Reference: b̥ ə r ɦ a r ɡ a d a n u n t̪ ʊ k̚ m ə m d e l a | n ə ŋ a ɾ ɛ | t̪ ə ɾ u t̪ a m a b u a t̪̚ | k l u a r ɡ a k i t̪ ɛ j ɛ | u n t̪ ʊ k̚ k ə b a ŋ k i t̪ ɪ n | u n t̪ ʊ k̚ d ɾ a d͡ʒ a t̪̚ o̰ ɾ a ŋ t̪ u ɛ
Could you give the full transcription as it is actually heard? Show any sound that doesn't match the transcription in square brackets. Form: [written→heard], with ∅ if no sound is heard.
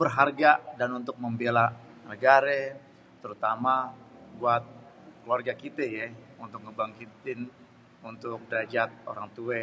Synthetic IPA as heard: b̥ ə r ɦ a r ɡ a d a n u n t̪ ʊ k̚ m ə m [d→b] e l a | n ə [ŋ→ɡ] a ɾ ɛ | t̪ ə ɾ u t̪ a m a b u a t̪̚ | k l u a r ɡ a k i t̪ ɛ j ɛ | u n t̪ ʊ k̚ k ə b a ŋ k i t̪ ɪ n | u n t̪ ʊ k̚ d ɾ a d͡ʒ a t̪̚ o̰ ɾ a ŋ t̪ u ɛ